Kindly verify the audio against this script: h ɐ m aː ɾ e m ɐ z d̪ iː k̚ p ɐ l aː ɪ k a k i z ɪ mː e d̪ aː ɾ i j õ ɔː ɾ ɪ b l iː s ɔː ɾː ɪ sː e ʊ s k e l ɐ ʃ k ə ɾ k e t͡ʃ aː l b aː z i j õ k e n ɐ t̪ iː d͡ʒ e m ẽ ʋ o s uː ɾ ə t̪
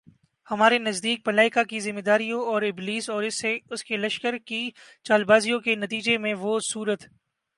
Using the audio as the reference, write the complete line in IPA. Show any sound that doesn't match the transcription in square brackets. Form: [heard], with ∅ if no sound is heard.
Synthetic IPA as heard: h ɐ m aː ɾ e [n] ɐ z d̪ iː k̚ p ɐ l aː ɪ k a k i z ɪ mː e d̪ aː ɾ i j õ ɔː ɾ ɪ b l iː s ɔː [ɾ] ɪ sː e ʊ s k e l ɐ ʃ k ə ɾ k [i] t͡ʃ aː l b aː z i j õ k e n ɐ t̪ iː d͡ʒ e m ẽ ʋ o s uː ɾ ə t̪

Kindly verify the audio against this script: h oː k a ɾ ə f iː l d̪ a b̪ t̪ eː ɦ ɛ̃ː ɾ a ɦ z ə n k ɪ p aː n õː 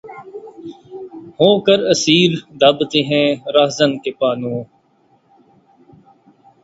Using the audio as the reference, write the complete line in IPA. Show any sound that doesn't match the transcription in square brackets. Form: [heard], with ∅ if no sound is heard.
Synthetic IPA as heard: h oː k [ə] ɾ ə [s] iː [ɾ] d̪ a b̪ t̪ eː ɦ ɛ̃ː ɾ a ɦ z ə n k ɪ p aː n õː

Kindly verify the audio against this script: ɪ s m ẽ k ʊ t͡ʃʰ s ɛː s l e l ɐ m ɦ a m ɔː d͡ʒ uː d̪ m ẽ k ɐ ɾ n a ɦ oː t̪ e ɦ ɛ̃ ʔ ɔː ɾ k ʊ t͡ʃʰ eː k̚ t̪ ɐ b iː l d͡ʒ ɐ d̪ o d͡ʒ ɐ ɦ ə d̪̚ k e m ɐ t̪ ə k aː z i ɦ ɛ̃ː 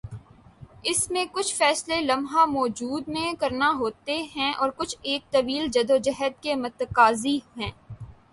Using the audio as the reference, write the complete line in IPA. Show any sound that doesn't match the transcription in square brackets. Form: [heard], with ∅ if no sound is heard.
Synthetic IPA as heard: ɪ s m ẽ k ʊ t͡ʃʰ [f] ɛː s l e l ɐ m ɦ a m ɔː d͡ʒ uː d̪ m ẽ k ɐ ɾ n a ɦ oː t̪ e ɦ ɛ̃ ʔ ɔː ɾ k ʊ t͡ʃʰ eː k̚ t̪ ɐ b iː l d͡ʒ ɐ d̪ o d͡ʒ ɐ ɦ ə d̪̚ k e m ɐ t̪ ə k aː z i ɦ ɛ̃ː

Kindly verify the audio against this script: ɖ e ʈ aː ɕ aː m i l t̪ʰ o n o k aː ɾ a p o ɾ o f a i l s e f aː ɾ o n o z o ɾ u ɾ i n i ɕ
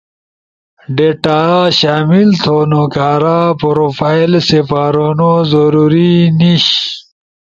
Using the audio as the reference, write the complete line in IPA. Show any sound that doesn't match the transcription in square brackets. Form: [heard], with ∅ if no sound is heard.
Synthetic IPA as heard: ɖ e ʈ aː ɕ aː m i l t̪ʰ o n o k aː ɾ a p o ɾ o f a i l s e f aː ɾ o n o z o ɾ u ɾ i n i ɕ

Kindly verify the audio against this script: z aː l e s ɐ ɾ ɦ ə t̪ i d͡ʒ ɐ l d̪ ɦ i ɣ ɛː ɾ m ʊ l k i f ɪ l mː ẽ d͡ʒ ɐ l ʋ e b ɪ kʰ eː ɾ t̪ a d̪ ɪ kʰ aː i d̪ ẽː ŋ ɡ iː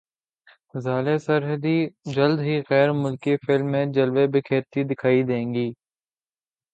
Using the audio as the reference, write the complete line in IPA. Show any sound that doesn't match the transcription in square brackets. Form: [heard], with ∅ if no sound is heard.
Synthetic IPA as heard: z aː l e s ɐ ɾ ɦ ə [d̪] i d͡ʒ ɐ l d̪ ɦ i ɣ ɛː ɾ m ʊ l k i f ɪ l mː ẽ d͡ʒ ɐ l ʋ e b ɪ kʰ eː ɾ t̪ [i] d̪ ɪ kʰ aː i d̪ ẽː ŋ ɡ iː

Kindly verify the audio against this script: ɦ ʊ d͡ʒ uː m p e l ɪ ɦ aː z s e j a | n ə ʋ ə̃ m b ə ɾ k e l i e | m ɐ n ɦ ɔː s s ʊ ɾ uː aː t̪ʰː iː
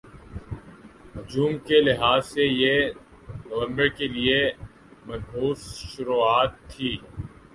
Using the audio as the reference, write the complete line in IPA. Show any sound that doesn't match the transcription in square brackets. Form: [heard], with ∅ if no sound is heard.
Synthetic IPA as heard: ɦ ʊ d͡ʒ uː m [k] e l ɪ ɦ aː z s e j [e] | n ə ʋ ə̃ m b ə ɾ k e l i e | m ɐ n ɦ [uː] s [ʃ] ʊ ɾ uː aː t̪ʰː iː

